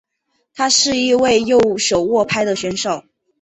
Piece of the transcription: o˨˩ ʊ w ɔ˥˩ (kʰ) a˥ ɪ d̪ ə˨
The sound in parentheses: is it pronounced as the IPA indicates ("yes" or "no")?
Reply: no